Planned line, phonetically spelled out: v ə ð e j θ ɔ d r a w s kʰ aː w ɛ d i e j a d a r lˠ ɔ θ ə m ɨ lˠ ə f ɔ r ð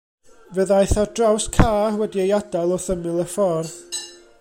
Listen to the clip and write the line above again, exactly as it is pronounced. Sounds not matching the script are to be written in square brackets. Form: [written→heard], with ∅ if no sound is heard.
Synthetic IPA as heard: v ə ð [e→a] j θ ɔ d r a w s kʰ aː w ɛ d i e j a d a [r→∅] lˠ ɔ θ ə m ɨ lˠ ə f ɔ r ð